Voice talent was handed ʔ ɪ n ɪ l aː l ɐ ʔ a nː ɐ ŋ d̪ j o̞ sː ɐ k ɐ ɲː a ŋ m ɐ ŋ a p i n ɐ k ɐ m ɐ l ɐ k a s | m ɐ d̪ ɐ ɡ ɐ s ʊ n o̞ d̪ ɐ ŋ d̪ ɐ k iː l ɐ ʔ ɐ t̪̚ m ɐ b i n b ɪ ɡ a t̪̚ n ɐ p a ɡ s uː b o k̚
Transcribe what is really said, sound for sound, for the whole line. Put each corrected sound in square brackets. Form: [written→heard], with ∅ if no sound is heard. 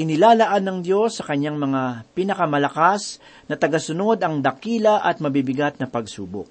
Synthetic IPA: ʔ ɪ n ɪ l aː l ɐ ʔ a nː ɐ ŋ d̪ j o̞ sː ɐ k ɐ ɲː a ŋ m ɐ ŋ a p i n ɐ k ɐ m ɐ l ɐ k a s | [m→n] ɐ [d̪→t̪] ɐ ɡ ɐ s ʊ n o̞ d̪ ɐ ŋ d̪ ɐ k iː l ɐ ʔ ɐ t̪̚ m ɐ b i [n→∅] b ɪ ɡ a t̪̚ n ɐ p [a→ɐ] ɡ s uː b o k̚